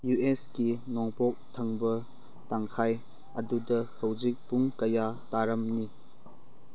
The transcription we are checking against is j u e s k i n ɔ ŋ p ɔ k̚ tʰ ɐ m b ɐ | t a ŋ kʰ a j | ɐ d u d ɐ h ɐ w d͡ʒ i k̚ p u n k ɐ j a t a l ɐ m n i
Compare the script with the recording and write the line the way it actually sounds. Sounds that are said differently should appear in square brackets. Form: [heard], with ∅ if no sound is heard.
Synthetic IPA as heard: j u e s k i n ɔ ŋ p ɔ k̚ tʰ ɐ [ŋ] b ɐ | t a ŋ kʰ a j | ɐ d u d ɐ h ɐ w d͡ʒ i k̚ p u [ŋ] k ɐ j a t a [ɾ] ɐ m n i